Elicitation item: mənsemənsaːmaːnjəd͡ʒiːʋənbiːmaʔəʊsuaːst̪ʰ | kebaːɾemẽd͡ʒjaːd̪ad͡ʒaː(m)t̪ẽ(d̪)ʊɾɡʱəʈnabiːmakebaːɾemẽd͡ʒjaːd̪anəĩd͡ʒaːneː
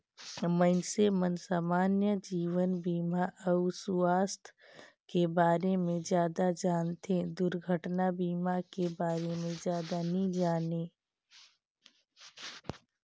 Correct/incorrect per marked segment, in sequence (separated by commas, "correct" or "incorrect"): incorrect, correct